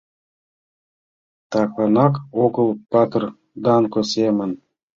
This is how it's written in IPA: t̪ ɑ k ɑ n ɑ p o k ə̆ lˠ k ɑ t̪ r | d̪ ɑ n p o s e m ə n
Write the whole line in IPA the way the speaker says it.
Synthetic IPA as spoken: t̪ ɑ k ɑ n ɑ k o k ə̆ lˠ p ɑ t̪ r | d̪ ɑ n k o s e m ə n